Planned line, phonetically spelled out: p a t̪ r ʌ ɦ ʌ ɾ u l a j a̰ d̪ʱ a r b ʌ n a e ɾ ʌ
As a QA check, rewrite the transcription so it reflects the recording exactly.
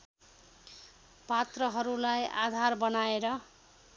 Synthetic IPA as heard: p a t̪ r ʌ ɦ ʌ ɾ u l a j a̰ d̪ʱ a r b ʌ n a e ɾ ʌ